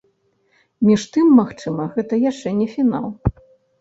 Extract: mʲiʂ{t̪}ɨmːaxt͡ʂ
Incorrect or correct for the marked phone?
correct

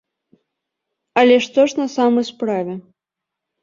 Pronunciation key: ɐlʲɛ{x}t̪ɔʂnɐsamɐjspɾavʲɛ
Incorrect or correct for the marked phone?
incorrect: ʂ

